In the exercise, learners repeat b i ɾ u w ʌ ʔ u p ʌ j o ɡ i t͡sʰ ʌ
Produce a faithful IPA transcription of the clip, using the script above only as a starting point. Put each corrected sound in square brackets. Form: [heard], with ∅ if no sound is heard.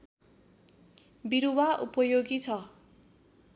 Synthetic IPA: b i ɾ u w [a] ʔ u p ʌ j o ɡ i t͡sʰ ʌ